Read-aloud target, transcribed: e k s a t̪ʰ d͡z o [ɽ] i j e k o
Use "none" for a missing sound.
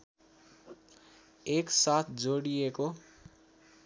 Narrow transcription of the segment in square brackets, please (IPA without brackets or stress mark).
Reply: ɽ